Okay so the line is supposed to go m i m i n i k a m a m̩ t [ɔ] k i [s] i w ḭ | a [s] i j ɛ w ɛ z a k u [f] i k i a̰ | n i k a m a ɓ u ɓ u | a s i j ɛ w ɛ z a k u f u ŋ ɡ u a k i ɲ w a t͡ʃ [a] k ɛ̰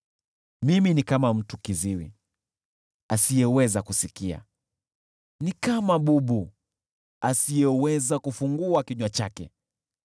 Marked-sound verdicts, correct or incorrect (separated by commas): incorrect, incorrect, correct, incorrect, correct